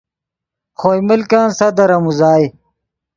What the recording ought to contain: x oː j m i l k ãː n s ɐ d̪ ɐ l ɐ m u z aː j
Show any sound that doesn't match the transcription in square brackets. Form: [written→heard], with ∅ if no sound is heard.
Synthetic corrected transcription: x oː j m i l k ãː n s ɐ d̪ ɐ [l→ɾ] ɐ m u z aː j